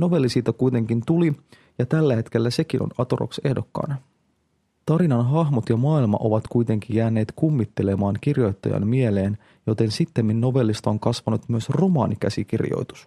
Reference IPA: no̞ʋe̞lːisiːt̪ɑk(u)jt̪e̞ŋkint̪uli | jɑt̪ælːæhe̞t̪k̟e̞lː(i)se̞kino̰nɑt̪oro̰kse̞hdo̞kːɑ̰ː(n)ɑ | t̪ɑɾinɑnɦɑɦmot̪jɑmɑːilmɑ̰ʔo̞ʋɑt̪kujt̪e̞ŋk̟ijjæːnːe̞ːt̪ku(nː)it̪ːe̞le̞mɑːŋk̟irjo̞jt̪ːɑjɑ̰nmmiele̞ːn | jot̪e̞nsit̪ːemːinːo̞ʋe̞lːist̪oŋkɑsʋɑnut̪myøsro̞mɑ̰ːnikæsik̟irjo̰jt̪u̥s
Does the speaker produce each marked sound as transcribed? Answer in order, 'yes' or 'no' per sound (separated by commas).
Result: yes, no, yes, no